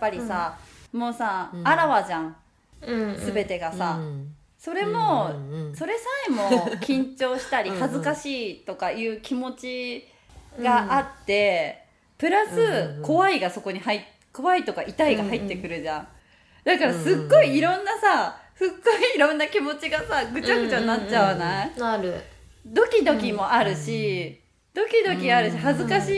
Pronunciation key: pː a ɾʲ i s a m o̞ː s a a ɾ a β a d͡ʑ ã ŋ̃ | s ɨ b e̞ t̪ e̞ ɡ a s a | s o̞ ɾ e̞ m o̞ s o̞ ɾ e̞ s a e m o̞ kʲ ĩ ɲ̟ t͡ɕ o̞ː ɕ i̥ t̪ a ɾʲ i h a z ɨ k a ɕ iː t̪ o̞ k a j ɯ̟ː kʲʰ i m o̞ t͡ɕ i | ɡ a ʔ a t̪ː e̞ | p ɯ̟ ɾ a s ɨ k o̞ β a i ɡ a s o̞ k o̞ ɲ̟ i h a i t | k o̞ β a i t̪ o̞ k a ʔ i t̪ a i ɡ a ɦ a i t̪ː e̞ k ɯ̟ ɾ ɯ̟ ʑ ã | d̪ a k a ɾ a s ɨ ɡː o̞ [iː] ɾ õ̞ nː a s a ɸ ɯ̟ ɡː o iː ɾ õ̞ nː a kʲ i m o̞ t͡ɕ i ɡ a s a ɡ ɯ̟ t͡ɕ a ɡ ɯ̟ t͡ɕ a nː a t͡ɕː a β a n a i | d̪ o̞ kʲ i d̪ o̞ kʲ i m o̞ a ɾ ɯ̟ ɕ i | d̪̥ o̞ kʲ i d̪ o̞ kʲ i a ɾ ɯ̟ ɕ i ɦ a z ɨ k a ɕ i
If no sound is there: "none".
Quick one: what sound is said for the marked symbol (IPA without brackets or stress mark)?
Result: iː